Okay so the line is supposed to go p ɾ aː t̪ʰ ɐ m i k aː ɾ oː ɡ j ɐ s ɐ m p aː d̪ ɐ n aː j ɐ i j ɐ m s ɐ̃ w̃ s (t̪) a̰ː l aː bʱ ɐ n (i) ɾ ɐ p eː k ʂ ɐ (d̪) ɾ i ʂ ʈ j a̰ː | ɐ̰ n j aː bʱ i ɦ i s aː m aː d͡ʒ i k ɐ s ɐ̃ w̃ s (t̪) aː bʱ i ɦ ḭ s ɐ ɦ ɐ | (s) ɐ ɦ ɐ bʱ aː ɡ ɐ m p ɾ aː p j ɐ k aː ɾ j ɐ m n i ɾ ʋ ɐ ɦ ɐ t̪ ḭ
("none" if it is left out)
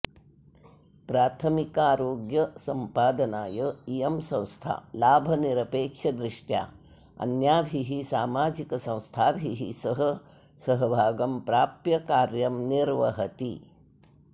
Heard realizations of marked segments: t̪ʰ, i, d̪, t̪ʰ, s

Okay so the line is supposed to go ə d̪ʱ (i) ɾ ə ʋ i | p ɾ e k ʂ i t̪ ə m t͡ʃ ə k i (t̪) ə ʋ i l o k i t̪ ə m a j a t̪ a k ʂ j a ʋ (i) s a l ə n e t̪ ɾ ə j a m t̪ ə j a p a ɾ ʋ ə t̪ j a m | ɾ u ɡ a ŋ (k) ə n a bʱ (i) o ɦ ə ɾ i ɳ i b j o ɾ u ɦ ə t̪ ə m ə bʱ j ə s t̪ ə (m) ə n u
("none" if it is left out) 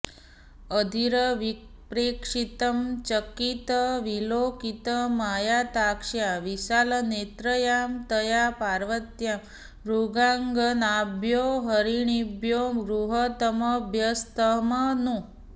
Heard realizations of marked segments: i, t̪, i, ɡ, j, m

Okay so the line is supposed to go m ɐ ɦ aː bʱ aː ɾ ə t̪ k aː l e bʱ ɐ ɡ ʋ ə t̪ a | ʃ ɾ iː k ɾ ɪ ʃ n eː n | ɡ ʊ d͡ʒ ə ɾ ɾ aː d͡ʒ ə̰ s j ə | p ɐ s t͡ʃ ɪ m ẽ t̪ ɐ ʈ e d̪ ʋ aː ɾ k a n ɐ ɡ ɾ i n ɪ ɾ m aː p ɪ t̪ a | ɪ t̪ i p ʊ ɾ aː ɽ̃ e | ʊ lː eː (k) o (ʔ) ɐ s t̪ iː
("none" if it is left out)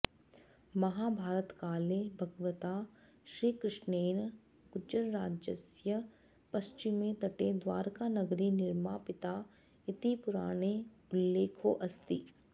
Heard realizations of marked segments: kʰ, ʔ

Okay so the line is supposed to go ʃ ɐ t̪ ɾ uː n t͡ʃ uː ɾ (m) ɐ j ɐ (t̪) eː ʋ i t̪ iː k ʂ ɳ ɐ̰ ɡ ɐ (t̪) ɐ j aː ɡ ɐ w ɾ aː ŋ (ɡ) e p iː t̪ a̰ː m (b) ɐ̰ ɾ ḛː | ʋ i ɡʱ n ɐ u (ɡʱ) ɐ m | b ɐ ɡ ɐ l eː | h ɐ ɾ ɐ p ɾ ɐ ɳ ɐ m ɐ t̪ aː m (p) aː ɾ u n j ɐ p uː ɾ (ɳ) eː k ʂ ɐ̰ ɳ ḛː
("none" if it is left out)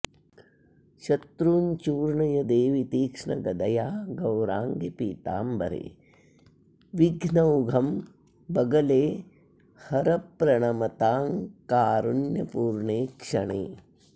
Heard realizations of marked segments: ɳ, d̪, d̪, ɡ, b, ɡʱ, k, ɳ

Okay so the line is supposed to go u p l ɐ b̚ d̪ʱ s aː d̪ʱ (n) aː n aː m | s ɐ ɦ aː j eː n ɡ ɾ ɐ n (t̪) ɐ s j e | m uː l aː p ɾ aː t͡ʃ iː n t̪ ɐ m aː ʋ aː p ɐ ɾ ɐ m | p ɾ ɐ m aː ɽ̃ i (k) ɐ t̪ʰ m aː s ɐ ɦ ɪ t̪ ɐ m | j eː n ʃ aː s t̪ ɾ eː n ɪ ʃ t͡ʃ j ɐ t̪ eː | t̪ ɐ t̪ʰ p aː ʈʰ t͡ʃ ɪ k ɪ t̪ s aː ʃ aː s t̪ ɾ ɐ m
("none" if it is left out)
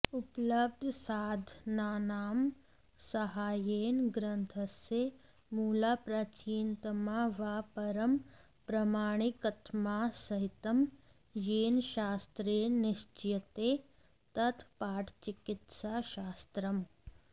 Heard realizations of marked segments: n, t̪ʰ, k

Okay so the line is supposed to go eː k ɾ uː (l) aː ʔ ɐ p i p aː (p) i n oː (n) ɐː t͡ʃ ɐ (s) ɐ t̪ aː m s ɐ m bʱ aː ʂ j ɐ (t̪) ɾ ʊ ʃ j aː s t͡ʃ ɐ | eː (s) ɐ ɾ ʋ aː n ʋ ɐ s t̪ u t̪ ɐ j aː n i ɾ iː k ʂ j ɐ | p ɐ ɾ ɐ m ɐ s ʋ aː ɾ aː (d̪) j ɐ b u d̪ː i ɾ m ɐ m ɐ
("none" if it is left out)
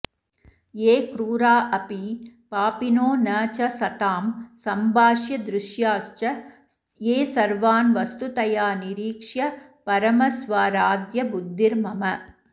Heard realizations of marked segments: ɾ, p, n, s, d̪, s, d̪

